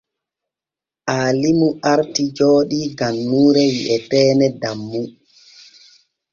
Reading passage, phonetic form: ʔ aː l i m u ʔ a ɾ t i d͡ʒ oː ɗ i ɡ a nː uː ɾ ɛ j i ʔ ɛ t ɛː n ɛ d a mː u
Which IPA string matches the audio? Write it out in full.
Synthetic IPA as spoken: ʔ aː l i m u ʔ a ɾ t i d͡ʒ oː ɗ i ɡ a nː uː ɾ ɛ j i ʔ ɛ t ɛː n ɛ d a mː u